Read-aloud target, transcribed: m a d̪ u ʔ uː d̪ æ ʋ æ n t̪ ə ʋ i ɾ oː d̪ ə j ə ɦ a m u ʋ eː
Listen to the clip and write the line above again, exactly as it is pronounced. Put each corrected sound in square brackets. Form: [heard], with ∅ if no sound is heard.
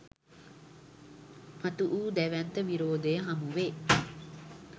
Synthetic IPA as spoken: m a [t̪] u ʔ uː d̪ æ ʋ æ n t̪ ə ʋ i ɾ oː d̪ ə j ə ɦ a m u ʋ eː